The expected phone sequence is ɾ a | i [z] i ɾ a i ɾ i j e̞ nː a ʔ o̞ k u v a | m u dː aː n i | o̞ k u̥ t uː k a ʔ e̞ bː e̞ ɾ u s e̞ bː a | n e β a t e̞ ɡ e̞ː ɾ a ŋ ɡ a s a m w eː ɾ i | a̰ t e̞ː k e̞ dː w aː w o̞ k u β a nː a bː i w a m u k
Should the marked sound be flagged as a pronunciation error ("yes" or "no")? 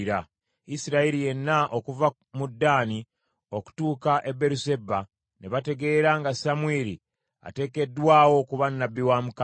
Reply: yes